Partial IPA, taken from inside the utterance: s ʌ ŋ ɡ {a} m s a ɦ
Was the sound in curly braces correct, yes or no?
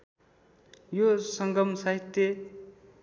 no